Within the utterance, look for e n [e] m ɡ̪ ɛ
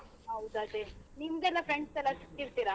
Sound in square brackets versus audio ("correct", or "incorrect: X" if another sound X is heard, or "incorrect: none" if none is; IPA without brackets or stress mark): incorrect: i